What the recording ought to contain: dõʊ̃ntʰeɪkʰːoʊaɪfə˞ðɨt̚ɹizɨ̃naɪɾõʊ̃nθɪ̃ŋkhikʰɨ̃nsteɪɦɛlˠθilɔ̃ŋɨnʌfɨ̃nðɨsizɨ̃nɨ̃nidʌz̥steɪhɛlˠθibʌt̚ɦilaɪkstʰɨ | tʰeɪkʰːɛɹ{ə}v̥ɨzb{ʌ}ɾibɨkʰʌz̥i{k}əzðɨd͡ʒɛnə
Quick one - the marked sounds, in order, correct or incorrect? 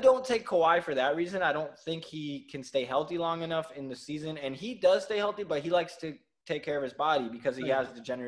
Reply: incorrect: ʌ, incorrect: ɑ, incorrect: none

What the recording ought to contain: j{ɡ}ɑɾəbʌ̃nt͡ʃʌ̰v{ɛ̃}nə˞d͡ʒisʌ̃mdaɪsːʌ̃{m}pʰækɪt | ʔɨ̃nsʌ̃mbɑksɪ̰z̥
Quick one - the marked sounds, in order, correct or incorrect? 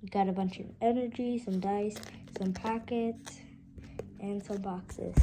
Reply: correct, incorrect: ɛ, correct

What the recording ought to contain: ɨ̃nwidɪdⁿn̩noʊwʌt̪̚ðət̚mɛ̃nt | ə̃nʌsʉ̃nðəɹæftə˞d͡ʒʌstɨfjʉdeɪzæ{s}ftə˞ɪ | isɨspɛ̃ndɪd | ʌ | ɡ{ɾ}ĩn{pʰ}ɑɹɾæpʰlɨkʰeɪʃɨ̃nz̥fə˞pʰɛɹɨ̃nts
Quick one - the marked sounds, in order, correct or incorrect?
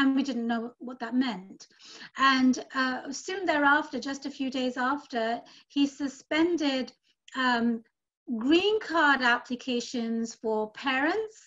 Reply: incorrect: none, incorrect: ɹ, incorrect: kʰ

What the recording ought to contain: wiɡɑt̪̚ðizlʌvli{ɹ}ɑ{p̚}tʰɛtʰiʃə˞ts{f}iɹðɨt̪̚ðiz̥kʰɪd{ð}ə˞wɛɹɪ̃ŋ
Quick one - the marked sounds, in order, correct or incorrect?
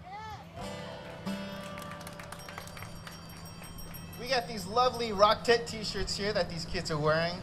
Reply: correct, incorrect: k̚, incorrect: h, incorrect: z

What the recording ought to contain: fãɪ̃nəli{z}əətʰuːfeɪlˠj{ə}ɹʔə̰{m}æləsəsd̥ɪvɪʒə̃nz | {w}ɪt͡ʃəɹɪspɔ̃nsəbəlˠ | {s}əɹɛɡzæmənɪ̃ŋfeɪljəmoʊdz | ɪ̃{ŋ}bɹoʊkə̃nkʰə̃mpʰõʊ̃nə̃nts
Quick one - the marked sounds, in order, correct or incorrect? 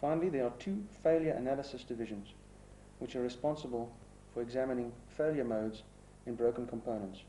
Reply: incorrect: ð, correct, incorrect: n, correct, incorrect: f, incorrect: n

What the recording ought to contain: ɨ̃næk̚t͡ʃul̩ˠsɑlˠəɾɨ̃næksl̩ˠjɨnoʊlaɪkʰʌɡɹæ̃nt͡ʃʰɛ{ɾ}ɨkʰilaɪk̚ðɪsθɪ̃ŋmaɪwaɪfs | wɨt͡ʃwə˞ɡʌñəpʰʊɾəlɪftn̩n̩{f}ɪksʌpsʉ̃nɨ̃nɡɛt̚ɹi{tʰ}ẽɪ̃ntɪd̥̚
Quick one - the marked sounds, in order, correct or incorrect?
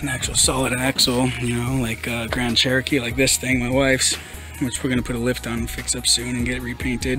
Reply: incorrect: ɹ, correct, incorrect: pʰ

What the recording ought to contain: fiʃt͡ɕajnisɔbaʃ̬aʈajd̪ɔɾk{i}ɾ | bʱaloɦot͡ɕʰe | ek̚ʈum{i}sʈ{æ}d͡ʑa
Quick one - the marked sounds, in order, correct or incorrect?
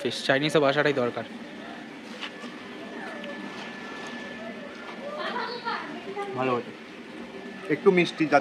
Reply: incorrect: a, correct, incorrect: i

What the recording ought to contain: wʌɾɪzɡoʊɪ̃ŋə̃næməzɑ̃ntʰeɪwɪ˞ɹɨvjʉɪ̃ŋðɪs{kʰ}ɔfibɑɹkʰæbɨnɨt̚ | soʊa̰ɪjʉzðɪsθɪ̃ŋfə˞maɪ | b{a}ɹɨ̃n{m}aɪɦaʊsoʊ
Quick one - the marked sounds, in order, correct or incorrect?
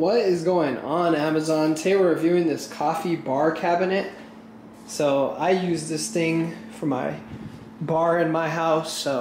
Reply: correct, incorrect: ɑ, correct

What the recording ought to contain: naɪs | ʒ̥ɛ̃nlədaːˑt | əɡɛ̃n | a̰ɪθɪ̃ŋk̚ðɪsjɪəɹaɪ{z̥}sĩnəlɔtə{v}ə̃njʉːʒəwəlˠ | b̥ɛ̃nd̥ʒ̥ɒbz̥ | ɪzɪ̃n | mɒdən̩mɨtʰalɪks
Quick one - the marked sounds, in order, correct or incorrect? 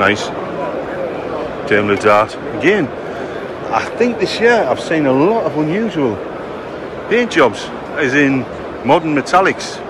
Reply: incorrect: v̥, correct

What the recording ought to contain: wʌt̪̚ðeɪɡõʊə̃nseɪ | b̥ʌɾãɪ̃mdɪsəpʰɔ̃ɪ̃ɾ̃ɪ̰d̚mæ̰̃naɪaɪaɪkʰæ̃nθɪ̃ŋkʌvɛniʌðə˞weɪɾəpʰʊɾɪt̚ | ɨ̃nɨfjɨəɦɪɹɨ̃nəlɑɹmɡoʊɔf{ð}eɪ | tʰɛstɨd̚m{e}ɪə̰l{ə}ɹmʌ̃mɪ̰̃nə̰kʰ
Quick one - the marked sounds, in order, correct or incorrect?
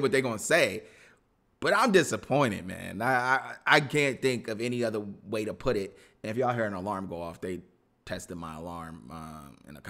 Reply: correct, incorrect: a, incorrect: ɑ

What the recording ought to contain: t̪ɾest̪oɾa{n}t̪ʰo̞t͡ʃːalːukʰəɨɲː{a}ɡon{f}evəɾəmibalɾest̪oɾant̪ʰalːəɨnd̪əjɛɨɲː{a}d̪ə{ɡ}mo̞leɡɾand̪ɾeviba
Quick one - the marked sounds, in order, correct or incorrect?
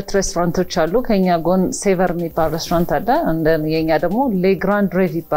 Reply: correct, correct, incorrect: s, correct, correct

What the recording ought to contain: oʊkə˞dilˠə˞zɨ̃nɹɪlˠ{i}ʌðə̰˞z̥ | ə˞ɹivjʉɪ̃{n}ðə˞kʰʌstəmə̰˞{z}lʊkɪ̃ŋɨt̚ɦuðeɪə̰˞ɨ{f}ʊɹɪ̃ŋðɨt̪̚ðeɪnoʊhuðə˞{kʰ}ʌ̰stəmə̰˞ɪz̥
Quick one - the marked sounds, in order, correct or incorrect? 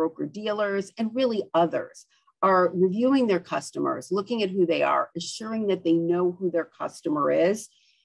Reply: correct, incorrect: ŋ, correct, incorrect: ʃ, correct

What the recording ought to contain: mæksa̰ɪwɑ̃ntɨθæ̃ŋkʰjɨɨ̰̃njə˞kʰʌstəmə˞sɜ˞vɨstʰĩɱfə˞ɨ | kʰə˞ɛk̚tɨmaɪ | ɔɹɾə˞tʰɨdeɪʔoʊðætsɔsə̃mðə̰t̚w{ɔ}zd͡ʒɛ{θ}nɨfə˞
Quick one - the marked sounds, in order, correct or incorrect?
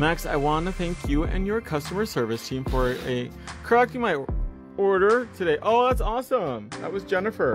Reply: incorrect: ʌ, incorrect: none

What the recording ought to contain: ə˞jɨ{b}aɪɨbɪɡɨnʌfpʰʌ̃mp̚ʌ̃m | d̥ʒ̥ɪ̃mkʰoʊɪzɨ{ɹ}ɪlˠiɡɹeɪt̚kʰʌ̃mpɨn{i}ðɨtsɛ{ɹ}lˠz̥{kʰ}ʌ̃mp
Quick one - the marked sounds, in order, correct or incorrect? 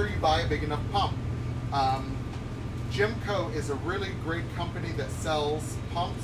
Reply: correct, correct, correct, incorrect: none, incorrect: pʰ

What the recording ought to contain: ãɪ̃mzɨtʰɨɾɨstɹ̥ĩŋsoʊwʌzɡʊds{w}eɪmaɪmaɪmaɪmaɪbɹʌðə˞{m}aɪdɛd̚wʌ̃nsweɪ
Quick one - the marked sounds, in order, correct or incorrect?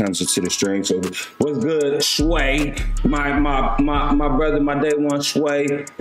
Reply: correct, correct

